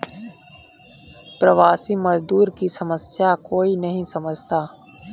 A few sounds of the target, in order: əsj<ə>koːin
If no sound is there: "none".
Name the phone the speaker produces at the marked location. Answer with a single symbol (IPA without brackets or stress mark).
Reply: a